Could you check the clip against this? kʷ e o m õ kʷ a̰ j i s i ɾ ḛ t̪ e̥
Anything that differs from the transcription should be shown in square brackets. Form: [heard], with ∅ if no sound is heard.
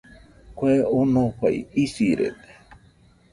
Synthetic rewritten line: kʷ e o [n] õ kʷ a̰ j i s i ɾ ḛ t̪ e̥